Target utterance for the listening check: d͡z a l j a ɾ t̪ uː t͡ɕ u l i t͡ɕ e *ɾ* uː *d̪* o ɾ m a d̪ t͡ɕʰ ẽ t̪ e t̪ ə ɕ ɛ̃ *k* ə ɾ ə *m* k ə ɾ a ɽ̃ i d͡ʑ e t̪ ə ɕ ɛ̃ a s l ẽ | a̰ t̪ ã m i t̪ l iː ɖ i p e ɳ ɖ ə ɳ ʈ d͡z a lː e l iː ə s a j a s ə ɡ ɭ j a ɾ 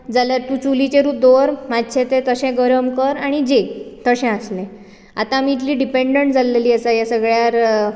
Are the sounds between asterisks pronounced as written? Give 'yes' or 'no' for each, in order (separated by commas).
yes, yes, no, yes